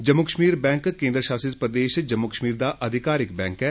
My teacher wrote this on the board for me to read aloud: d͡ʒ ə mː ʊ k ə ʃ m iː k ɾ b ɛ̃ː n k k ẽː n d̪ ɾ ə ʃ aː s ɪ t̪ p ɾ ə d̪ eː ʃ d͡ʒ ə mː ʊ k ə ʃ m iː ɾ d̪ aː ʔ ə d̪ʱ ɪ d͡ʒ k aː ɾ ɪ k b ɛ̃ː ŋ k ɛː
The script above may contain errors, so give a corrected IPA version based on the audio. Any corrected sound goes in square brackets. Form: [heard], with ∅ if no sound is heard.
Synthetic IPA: d͡ʒ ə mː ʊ k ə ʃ m iː [∅] ɾ b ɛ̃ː [ŋ] k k ẽː n d̪ ɾ ə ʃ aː s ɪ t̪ p ɾ ə d̪ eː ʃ d͡ʒ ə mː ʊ k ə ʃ m iː ɾ d̪ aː ʔ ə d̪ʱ ɪ [∅] k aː ɾ ɪ k b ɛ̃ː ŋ k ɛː